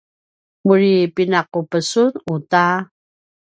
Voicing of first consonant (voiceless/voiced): voiced